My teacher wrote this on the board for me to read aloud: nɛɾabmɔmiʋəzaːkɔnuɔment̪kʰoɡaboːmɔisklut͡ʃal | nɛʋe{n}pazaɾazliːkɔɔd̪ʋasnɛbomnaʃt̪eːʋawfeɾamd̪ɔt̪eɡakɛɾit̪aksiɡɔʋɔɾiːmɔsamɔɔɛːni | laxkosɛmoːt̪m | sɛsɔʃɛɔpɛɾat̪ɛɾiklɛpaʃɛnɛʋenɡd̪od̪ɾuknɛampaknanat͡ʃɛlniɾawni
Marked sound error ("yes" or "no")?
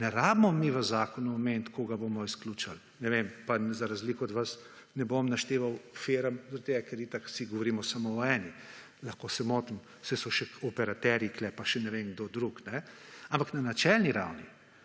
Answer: yes